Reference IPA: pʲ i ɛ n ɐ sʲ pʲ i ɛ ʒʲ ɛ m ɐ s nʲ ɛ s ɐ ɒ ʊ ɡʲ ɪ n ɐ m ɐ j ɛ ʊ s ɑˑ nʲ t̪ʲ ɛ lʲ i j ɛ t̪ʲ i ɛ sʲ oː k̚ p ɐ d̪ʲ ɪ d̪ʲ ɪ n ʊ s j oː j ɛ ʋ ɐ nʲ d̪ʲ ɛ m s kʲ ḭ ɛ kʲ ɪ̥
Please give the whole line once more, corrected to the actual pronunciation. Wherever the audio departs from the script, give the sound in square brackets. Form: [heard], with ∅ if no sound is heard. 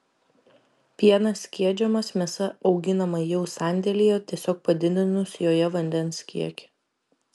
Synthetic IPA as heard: pʲ i ɛ n ɐ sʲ [kʲ] i ɛ [d͡ʒʲ] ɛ m ɐ s [mʲ] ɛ s ɐ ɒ ʊ ɡʲ ɪ n ɐ m ɐ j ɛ ʊ s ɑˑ nʲ [d̪ʲ] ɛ lʲ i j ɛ t̪ʲ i ɛ sʲ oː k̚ p ɐ d̪ʲ ɪ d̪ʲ ɪ n ʊ s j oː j ɛ ʋ ɐ nʲ d̪ʲ ɛ [n] s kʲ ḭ ɛ kʲ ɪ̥